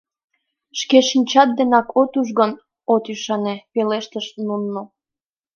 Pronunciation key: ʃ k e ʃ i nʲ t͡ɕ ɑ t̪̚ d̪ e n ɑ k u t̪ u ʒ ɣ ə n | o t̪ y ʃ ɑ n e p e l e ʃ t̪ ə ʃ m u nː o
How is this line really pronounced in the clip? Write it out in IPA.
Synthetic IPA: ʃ k e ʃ i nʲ t͡ɕ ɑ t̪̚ d̪ e n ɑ k o t̪ u ʒ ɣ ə n | o t̪ y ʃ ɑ n e p e l e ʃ t̪ ə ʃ n u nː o

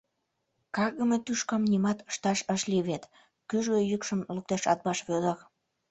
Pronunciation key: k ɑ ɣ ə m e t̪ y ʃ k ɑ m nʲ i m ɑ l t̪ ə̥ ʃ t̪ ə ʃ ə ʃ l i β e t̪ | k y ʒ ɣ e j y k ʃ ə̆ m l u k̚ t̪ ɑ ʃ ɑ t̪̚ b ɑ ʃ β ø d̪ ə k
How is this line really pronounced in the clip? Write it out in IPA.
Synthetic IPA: k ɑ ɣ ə m e t̪ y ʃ k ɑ m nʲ i m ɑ t̪ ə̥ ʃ t̪ ɑ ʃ ə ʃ l i β e t̪ | k y ʒ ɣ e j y k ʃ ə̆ m l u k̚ t̪ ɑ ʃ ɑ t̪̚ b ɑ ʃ β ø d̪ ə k

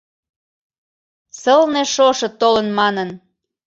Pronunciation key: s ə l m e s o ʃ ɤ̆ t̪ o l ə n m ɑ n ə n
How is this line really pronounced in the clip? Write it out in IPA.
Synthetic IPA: s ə l n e ʃ o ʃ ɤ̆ t̪ o l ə n m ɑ n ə n

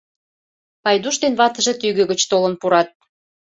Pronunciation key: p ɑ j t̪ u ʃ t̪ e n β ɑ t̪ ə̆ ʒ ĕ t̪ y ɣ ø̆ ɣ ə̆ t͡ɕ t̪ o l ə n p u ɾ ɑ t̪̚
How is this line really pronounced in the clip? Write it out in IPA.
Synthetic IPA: p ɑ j d̪ u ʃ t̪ e n β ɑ t̪ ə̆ ʒ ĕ t̪ y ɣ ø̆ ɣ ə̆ t͡ɕ t̪ o l ə n p u ɾ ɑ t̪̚

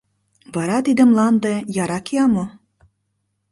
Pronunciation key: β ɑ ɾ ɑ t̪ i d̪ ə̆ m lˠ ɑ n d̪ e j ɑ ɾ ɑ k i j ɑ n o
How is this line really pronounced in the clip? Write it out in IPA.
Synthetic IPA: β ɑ ɾ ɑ t̪ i d̪ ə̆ m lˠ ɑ n d̪ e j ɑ ɾ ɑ k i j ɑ m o

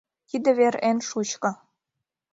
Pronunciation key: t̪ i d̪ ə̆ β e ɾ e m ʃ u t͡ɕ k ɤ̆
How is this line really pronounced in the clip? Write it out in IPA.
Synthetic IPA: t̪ i d̪ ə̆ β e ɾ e n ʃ u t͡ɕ k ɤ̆

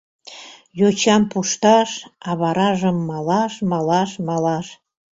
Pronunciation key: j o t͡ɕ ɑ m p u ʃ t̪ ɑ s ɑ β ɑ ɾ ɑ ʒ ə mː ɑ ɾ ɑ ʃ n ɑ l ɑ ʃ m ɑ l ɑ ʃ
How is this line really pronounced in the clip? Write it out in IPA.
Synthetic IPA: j o t͡ɕ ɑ m p u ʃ t̪ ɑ ʃ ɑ β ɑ ɾ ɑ ʒ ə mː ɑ l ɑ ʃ m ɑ l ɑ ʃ m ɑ l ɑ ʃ

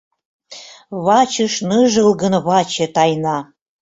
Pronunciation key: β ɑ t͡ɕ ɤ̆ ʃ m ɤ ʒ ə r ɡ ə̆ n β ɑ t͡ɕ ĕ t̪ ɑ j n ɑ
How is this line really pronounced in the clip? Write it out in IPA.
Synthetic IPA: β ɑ t͡ɕ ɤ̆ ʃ n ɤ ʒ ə l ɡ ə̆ n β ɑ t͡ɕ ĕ t̪ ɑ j n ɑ

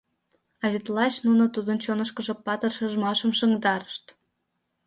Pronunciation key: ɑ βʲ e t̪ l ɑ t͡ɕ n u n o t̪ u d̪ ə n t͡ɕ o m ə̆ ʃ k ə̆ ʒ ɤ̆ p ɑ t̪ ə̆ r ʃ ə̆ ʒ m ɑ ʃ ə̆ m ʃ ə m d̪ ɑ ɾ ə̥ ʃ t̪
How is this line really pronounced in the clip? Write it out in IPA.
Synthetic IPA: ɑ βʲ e t̪ l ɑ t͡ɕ n u n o t̪ u d̪ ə n t͡ɕ o n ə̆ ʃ k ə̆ ʒ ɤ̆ p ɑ t̪ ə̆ r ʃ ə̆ ʒ m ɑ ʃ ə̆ m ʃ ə ŋ d̪ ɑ ɾ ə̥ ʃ t̪

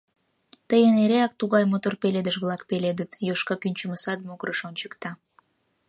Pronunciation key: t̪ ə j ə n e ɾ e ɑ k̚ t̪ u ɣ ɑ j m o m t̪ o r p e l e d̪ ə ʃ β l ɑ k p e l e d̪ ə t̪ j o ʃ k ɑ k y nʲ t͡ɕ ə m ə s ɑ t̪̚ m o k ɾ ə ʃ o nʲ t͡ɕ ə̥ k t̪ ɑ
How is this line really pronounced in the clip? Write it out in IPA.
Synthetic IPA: t̪ ə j ə n e ɾ e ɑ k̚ t̪ u ɣ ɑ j m o t̪ o r p e l e d̪ ə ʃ β l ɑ k p e l e d̪ ə t̪ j o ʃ k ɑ k y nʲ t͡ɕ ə m ə s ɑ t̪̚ m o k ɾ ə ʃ o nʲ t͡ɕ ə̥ k t̪ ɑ

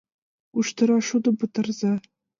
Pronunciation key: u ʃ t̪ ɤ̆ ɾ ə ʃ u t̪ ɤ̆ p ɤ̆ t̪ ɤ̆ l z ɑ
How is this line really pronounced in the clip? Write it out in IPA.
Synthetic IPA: u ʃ t̪ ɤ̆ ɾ ɑ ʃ u d̪ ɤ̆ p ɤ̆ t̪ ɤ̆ r z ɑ

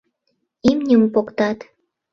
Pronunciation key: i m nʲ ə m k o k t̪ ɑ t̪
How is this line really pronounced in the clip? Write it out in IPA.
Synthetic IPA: i m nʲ ə m p o k t̪ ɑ t̪

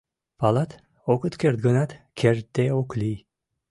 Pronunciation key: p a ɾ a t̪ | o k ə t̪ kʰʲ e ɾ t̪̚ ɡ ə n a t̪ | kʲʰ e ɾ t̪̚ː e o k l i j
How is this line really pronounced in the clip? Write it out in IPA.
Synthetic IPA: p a l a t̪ | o k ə t̪ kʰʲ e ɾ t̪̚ ɡ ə n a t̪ | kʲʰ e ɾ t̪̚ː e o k l i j

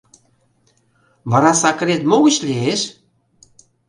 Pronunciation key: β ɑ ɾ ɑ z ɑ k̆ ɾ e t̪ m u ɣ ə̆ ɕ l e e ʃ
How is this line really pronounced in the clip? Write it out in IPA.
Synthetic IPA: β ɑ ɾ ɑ s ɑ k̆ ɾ e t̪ m o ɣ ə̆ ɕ l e e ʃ

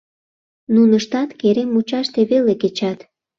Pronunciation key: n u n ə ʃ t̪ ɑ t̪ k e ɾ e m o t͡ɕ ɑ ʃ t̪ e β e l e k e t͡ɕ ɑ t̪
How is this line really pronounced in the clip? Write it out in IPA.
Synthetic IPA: n u n ə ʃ t̪ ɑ t̪ k e ɾ e m u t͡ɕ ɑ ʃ t̪ e β e l e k e t͡ɕ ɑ t̪

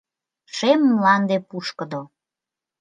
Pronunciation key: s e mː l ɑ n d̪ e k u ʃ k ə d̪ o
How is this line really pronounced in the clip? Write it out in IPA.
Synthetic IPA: ʃ e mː l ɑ n d̪ e p u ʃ k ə d̪ o

